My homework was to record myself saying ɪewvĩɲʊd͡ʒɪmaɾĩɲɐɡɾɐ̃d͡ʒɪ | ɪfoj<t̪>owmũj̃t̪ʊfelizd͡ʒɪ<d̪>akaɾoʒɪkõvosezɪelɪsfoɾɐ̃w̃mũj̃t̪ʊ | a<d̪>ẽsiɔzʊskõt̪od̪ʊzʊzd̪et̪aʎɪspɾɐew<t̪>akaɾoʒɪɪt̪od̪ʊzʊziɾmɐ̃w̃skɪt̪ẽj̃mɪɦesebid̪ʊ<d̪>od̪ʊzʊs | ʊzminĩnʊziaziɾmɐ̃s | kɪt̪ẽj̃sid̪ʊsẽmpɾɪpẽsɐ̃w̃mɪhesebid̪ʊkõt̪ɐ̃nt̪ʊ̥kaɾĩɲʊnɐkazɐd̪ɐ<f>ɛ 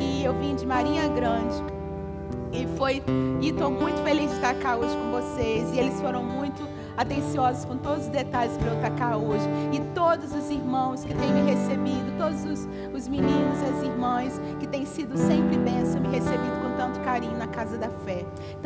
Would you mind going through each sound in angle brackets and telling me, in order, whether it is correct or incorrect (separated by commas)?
correct, incorrect, incorrect, correct, incorrect, correct